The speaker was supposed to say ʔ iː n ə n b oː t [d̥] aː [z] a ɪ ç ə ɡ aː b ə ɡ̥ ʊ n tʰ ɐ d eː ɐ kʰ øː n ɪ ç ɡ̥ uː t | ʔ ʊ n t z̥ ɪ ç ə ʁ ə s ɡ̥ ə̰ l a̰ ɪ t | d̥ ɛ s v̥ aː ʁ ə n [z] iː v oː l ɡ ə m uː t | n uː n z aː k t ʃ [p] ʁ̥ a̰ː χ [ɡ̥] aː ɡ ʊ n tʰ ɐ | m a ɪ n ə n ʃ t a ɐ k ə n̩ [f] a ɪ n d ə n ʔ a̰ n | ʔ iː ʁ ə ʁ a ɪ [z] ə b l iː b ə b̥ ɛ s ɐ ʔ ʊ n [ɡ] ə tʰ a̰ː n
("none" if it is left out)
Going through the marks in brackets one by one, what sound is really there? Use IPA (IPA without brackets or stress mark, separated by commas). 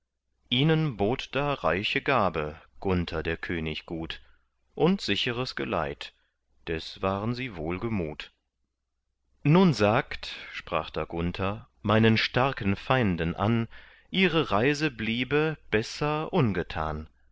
d̥, ʁ, z, p, d̥, f, z, ɡ